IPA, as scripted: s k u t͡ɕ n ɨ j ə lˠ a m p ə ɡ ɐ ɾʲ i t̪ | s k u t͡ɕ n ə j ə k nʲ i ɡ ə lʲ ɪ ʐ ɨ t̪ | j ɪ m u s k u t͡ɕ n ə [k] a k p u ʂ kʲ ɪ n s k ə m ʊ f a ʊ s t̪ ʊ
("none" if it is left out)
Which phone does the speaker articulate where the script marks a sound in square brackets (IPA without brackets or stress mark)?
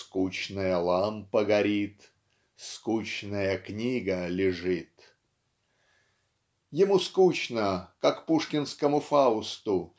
k